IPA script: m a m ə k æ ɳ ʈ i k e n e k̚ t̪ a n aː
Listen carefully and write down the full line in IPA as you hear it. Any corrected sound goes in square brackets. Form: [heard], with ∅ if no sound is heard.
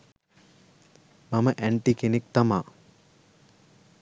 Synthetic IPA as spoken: m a m ə [ʔ] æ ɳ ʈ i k e n e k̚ t̪ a [m] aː

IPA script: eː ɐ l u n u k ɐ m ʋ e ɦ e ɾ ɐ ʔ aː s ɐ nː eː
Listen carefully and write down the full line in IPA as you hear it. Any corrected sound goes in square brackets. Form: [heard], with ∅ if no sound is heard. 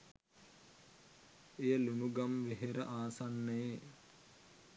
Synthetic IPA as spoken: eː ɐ l u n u [ɡ] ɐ m ʋ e ɦ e ɾ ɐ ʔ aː s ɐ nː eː

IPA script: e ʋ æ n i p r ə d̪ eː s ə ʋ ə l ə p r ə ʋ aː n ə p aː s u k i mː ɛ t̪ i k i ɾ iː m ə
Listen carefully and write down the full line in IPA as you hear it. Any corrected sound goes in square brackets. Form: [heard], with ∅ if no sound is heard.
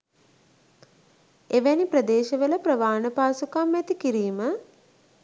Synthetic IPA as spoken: e ʋ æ n i p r ə d̪ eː [ʃ] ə ʋ ə l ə p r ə ʋ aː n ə p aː s u k [a] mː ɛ t̪ i k i ɾ iː m ə

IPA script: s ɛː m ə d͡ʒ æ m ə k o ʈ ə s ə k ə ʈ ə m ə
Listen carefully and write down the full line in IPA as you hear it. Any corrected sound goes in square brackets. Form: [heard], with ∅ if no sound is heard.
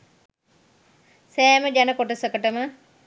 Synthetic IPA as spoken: s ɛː m ə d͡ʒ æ [n] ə k o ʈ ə s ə k ə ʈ ə m ə

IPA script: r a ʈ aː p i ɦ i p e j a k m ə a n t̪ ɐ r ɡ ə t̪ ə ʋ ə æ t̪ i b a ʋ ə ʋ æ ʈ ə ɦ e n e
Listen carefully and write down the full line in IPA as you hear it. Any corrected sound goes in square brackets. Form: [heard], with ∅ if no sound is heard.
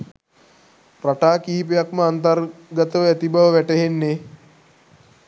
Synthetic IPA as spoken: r a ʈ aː [k] i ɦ i p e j a k m ə a n t̪ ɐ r ɡ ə t̪ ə ʋ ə æ t̪ i b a ʋ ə ʋ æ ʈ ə ɦ e [nː] e

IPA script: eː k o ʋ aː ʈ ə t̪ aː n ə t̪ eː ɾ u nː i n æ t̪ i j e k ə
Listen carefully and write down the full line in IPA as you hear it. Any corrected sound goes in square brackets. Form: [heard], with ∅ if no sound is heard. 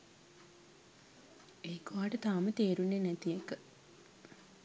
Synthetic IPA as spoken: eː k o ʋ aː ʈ ə t̪ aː [m] ə t̪ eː ɾ u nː [e] n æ t̪ i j e k ə

